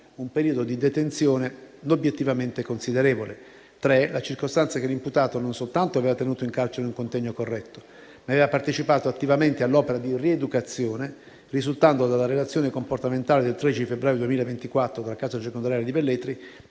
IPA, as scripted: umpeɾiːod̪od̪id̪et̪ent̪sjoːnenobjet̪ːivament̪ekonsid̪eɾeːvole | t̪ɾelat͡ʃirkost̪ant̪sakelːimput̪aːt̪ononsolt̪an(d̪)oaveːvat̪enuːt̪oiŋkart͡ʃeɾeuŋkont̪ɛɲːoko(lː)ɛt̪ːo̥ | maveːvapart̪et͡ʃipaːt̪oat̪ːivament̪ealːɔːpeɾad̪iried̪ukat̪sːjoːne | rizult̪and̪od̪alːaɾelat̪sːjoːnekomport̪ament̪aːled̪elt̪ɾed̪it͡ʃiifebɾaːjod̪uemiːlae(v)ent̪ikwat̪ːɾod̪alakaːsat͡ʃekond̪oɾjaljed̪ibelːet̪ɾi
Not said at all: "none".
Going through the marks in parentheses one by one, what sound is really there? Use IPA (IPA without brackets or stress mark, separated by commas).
t̪, rː, v